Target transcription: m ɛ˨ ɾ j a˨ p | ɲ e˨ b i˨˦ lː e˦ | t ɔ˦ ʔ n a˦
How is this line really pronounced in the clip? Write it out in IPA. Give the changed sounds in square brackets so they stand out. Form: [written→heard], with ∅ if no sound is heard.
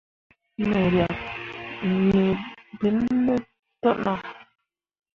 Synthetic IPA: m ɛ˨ ɾ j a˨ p | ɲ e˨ b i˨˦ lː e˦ | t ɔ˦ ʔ n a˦